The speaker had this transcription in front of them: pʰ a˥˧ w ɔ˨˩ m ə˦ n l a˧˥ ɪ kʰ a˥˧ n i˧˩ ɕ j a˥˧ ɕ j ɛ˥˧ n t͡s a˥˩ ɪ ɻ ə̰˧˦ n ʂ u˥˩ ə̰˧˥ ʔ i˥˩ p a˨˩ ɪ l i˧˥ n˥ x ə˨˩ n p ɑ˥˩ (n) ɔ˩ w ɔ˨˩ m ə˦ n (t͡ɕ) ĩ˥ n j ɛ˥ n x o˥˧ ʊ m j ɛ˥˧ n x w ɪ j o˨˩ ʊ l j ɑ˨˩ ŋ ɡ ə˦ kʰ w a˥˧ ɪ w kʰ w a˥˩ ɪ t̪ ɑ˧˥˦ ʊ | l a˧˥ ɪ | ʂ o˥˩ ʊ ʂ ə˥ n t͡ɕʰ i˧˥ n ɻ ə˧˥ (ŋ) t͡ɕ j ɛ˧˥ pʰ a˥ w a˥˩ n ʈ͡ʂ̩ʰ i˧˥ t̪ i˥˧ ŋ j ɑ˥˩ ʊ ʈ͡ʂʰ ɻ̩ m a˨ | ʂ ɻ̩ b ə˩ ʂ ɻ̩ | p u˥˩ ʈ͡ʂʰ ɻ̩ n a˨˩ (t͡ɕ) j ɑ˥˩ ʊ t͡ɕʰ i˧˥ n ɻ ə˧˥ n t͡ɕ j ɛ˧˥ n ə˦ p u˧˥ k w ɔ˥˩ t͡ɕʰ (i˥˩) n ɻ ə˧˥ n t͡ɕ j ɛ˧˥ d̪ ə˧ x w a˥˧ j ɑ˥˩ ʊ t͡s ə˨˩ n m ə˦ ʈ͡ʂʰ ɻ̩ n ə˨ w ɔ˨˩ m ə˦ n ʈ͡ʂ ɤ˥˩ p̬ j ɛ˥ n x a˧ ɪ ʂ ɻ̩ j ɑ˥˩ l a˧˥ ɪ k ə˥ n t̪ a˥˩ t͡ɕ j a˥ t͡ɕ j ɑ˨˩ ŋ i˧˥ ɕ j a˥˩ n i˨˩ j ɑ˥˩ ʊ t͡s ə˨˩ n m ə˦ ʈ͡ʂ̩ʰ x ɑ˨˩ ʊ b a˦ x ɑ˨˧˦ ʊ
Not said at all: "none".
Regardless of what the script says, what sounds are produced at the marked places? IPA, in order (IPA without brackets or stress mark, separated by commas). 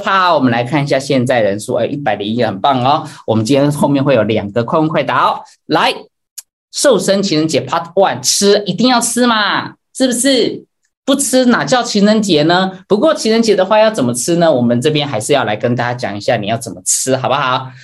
ŋ, t͡ɕ, n, t͡ɕ, i˧˥